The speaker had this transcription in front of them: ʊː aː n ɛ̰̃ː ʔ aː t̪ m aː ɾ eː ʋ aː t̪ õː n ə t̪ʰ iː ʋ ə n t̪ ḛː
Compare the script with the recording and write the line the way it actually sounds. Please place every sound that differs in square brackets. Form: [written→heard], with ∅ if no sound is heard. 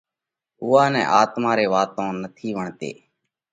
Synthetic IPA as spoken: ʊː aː n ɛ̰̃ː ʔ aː t̪ m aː ɾ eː ʋ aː t̪ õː n ə t̪ʰ iː ʋ ə [n→ɳ] t̪ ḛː